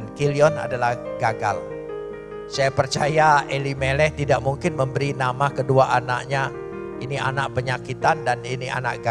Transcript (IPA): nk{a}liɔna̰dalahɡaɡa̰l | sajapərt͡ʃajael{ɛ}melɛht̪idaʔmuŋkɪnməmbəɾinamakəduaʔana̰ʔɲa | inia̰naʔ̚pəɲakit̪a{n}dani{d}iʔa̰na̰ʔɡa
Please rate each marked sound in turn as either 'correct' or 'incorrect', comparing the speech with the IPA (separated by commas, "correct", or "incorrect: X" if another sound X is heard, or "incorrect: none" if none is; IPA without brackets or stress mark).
incorrect: i, incorrect: i, correct, incorrect: n